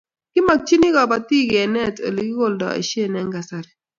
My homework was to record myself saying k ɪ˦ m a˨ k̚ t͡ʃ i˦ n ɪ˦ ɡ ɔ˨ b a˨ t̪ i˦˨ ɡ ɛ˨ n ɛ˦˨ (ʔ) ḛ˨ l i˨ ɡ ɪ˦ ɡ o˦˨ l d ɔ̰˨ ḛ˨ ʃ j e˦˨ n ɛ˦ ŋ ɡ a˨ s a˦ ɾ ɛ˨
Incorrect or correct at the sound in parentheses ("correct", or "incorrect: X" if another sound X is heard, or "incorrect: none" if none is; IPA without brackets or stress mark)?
incorrect: t